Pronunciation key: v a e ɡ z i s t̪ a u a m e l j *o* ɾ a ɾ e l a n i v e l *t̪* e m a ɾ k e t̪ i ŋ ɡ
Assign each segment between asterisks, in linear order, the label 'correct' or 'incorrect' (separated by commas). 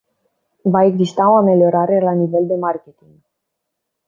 correct, incorrect